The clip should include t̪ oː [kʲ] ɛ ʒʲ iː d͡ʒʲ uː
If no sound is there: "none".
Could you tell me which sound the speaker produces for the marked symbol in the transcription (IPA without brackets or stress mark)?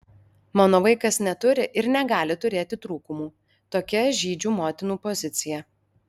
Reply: kʲ